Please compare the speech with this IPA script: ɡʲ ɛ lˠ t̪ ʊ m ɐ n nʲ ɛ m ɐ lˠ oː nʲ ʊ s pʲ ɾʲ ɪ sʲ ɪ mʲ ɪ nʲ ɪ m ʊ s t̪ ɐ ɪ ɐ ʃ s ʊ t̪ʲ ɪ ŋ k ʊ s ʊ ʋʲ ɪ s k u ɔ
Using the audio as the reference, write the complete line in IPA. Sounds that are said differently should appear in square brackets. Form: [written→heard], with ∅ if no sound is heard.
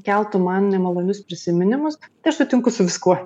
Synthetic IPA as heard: [ɡʲ→kʲ] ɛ lˠ t̪ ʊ m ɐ n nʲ ɛ m ɐ lˠ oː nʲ ʊ s pʲ ɾʲ ɪ sʲ ɪ mʲ ɪ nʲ ɪ m ʊ s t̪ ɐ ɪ ɐ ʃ s ʊ t̪ʲ ɪ ŋ k ʊ s ʊ ʋʲ ɪ s k u ɔ